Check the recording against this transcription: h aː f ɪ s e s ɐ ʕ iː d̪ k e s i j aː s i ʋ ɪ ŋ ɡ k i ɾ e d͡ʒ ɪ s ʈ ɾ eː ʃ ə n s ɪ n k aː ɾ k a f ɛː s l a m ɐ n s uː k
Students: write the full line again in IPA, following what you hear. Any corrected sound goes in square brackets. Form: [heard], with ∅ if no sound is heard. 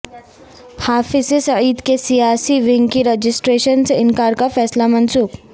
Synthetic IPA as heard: h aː f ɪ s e s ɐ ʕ iː d̪ k e s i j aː s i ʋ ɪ ŋ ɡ k i ɾ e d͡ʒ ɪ s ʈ ɾ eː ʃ ə n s ɪ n k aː ɾ k a f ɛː s l a m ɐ n s uː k